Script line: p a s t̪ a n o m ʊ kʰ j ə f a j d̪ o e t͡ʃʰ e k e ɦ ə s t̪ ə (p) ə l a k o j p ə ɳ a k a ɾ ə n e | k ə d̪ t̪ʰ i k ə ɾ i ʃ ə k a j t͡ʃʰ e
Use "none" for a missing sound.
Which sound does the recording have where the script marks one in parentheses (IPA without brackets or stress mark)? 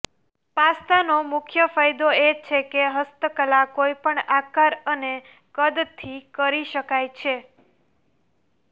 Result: k